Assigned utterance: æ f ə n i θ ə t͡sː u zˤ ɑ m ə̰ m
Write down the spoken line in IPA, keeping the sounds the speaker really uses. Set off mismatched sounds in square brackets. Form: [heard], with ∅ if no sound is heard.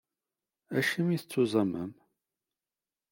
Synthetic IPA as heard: æ [ʃ] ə [m] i θ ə t͡sː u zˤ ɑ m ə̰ m

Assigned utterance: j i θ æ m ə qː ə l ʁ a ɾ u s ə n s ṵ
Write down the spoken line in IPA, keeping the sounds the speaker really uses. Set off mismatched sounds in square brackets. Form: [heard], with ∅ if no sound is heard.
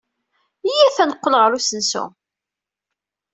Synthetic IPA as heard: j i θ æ [n] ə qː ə l ʁ [ə] ɾ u s ə n s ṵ

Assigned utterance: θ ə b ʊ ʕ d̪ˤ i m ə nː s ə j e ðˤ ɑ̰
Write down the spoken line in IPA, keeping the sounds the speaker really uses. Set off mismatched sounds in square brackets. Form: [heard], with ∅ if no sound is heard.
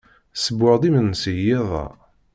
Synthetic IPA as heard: [s] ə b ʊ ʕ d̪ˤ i m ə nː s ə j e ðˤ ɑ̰

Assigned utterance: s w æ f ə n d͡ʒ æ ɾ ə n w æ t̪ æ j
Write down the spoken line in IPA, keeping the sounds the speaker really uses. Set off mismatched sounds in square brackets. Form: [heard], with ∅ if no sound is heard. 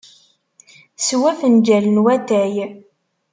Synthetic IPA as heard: s w æ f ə n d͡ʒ æ [l] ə n w æ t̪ æ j

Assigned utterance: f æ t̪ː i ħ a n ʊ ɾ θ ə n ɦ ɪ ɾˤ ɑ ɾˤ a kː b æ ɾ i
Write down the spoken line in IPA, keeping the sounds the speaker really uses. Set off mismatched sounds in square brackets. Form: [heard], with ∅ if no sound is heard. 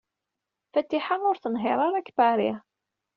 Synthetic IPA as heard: f æ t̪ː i ħ a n ʊ ɾ θ ə n ɦ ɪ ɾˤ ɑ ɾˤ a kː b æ ɾ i

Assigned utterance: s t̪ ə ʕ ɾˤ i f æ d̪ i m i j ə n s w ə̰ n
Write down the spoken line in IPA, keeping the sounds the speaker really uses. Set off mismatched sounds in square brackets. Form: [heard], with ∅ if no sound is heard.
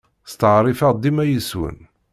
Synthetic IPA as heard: s t̪ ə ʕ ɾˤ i f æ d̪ i m [æ] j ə [∅] s w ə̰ n

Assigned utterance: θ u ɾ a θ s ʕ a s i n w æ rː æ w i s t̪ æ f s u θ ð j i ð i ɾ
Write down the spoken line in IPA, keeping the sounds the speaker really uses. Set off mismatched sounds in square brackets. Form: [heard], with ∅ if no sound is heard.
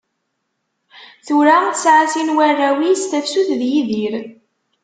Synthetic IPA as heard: θ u ɾ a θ s ʕ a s i n w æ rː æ w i s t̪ æ f s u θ ð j i ð i ɾ

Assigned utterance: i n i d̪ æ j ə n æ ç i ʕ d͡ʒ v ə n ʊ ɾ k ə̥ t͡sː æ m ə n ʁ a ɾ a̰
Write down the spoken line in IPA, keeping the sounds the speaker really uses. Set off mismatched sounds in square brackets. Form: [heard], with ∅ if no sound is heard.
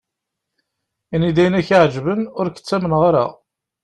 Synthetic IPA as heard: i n i d̪ æ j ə n æ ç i ʕ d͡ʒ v ə n ʊ ɾ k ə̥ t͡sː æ m ə n ʁ a ɾ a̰

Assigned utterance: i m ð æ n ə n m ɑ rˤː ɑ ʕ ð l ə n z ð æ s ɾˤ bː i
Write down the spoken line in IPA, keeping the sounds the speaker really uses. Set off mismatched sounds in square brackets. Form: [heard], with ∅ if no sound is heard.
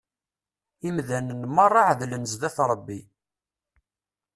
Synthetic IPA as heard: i m ð æ n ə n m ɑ rˤː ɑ ʕ ð l ə n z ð æ [θ] ɾˤ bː i

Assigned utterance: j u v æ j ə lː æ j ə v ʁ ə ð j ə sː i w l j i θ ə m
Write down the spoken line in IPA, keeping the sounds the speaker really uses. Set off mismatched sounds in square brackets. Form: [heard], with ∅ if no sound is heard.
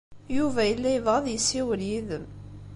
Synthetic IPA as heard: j u v æ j ə lː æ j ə v ʁ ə ð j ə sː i w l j i [ð] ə m

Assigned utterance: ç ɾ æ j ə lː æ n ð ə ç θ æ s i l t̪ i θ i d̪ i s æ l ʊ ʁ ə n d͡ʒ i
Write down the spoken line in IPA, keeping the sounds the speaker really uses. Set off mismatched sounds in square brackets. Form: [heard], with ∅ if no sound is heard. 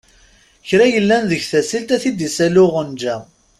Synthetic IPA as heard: ç ɾ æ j ə lː æ n ð ə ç θ æ s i l t̪ [æ] θ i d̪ i s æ l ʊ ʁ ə n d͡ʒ [æ]

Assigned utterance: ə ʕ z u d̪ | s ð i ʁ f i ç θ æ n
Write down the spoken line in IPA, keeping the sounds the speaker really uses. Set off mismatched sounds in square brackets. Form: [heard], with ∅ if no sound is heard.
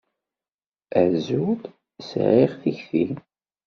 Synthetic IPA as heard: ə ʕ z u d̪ | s [ʕ] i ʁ [θ] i ç θ [i] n

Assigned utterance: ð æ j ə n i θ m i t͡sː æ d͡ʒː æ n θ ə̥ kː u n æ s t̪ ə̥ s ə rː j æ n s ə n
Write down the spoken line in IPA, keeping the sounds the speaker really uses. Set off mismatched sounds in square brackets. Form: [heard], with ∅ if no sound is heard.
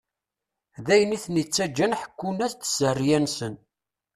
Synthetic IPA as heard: ð æ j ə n i θ [n] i t͡sː æ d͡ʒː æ n [ħ] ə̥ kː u n æ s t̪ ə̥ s ə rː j æ n s ə n

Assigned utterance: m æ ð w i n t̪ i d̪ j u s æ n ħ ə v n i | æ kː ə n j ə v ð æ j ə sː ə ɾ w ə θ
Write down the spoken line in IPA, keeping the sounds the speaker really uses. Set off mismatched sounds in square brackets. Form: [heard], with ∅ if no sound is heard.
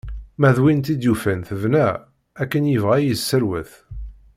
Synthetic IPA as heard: m æ ð w i n t̪ i d̪ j u [f] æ n [θ] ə v n [æ] | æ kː ə n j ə v [ʁ] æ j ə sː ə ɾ w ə θ

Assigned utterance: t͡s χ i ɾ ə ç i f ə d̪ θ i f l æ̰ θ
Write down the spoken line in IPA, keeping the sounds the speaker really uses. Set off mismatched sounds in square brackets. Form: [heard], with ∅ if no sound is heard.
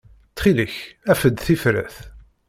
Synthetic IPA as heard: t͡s χ i [l] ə ç [æ] f ə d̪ θ i f [ɾ] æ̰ θ

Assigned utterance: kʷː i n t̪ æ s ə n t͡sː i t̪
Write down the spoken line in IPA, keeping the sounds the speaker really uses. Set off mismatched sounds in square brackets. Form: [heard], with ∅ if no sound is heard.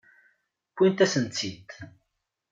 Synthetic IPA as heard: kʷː i n t̪ æ s ə n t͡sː i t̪

